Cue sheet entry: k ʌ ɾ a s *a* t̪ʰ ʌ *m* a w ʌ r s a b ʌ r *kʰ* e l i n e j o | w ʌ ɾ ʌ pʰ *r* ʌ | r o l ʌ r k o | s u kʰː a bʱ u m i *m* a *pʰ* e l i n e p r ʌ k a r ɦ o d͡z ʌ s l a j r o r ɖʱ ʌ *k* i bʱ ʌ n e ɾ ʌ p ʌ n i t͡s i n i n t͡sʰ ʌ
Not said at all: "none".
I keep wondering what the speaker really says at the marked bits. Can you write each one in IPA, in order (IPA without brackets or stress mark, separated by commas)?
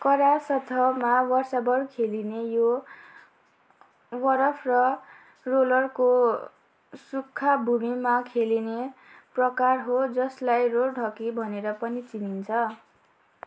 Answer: ʌ, m, kʰ, r, m, kʰ, k